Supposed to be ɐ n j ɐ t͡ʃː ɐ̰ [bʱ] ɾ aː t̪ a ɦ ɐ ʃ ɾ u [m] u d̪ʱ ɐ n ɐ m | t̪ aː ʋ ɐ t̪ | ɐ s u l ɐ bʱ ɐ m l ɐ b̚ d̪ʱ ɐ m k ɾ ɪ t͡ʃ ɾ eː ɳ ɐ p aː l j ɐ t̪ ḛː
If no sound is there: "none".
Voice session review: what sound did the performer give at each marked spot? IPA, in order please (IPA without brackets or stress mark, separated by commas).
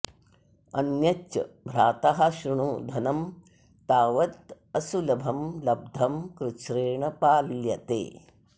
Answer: bʱ, ɳ